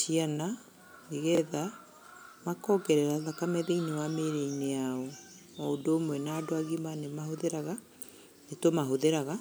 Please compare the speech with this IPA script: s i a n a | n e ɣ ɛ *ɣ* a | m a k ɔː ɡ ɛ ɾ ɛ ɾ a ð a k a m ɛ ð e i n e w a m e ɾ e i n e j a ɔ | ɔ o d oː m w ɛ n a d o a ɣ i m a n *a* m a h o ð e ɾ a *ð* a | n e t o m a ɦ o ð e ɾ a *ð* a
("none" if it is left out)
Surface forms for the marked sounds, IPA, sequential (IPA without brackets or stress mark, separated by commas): ð, e, ɣ, ɣ